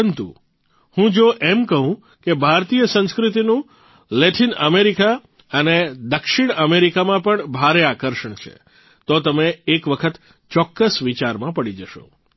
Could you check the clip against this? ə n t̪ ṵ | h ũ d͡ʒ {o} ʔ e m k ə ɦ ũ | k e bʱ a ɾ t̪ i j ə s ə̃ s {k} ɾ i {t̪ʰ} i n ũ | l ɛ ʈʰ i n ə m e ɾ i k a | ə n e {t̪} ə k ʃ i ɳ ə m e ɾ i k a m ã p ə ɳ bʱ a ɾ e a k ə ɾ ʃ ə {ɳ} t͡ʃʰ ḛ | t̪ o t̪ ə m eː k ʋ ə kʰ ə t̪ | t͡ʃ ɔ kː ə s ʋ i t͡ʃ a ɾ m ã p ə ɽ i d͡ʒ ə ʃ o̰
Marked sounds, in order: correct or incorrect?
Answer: correct, correct, incorrect, incorrect, correct

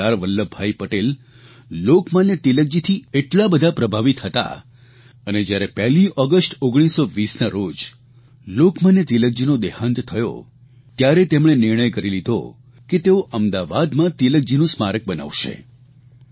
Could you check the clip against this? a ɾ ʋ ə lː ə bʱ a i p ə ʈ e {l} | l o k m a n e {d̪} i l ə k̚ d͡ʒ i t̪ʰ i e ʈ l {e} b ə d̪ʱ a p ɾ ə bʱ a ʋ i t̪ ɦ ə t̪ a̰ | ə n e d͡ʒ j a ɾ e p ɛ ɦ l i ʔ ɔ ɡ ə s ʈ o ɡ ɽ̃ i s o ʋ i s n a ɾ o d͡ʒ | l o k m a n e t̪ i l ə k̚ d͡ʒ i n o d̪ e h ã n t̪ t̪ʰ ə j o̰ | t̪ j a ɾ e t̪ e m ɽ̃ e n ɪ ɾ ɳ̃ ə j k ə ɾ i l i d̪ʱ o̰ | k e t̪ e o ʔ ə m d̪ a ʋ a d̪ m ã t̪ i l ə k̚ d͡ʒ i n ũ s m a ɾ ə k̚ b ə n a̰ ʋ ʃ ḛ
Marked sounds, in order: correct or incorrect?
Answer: correct, incorrect, incorrect

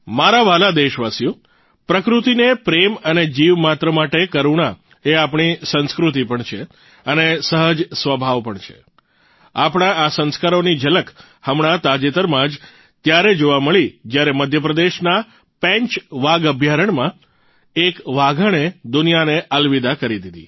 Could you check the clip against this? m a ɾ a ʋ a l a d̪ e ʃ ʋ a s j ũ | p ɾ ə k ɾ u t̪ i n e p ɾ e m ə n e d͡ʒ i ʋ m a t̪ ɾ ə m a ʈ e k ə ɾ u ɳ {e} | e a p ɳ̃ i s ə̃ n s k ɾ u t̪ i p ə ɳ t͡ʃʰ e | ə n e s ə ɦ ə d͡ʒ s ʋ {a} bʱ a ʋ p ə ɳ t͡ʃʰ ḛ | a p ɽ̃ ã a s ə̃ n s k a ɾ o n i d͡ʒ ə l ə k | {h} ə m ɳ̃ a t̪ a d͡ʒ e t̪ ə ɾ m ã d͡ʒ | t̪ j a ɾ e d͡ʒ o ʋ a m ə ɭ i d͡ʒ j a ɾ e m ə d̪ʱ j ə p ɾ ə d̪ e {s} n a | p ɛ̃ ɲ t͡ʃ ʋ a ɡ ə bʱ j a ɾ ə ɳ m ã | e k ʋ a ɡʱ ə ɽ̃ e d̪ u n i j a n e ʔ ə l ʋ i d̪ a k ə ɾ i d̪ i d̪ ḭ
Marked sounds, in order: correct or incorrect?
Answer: incorrect, incorrect, correct, incorrect

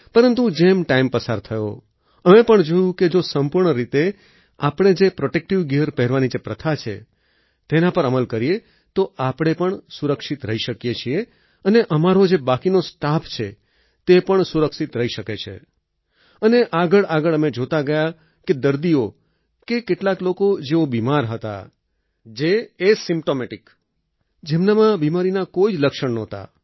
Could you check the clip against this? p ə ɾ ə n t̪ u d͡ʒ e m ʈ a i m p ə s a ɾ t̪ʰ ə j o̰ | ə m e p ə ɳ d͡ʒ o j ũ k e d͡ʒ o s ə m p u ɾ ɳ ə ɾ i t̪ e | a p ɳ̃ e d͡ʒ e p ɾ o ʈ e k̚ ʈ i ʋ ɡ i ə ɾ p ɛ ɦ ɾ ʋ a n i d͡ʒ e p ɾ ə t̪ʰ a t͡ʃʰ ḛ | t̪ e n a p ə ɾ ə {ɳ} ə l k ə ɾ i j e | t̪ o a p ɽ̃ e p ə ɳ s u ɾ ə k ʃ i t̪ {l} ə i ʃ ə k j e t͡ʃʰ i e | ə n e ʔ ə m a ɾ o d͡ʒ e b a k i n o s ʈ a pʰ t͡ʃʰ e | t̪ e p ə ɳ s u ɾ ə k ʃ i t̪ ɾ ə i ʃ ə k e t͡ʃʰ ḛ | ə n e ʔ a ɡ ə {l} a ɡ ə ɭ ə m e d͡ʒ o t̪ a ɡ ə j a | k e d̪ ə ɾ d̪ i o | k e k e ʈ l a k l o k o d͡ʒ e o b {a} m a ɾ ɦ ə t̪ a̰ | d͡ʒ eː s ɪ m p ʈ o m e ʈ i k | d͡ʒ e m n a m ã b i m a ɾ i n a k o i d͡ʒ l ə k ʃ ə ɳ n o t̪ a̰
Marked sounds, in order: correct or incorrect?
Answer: incorrect, incorrect, incorrect, incorrect

